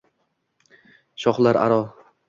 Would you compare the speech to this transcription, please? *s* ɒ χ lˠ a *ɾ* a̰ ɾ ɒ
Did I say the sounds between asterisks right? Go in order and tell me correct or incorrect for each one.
incorrect: ʃ, correct

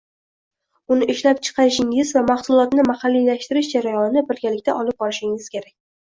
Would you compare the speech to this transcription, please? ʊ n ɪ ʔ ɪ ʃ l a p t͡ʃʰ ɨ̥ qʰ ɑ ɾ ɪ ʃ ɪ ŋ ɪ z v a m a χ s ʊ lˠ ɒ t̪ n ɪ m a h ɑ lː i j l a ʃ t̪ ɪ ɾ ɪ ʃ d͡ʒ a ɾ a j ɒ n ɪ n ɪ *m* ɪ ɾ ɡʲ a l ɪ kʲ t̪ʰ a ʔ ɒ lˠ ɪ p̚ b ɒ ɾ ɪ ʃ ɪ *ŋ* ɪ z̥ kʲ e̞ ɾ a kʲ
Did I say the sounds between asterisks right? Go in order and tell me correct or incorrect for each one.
incorrect: b, correct

